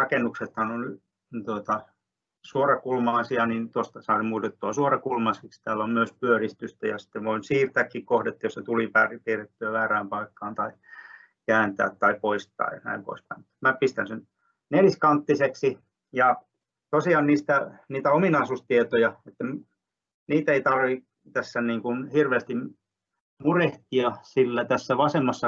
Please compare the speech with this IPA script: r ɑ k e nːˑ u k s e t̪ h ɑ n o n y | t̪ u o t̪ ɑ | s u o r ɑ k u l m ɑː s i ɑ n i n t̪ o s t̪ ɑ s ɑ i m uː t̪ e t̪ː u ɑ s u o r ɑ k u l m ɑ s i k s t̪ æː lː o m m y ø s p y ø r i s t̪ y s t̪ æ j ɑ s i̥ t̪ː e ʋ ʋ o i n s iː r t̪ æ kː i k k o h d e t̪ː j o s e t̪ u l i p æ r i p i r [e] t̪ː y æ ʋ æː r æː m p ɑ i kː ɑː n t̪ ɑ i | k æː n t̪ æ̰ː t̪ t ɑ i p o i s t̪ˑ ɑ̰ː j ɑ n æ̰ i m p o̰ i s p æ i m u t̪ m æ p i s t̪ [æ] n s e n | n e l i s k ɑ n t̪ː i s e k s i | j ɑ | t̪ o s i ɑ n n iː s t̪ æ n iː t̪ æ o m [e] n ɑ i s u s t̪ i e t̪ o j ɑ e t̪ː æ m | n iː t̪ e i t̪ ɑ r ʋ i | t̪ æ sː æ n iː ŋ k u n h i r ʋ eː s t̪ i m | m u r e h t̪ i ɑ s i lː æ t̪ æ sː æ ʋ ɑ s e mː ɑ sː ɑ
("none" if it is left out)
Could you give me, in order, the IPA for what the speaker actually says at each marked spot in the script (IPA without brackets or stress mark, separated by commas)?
e, æ, i